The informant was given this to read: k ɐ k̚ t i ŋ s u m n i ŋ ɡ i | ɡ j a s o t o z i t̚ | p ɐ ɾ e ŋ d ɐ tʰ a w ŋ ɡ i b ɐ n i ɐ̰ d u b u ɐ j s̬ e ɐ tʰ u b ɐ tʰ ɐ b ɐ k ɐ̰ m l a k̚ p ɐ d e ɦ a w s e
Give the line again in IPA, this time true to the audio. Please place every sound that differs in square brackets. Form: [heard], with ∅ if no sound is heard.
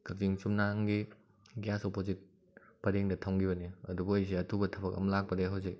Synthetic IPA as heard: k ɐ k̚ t i ŋ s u m n [a] ŋ ɡ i | ɡ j a s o [p] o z i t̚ | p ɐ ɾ e ŋ d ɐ tʰ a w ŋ ɡ i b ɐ n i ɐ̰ d u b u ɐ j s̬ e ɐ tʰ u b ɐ tʰ ɐ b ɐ k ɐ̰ m l a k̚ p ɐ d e ɦ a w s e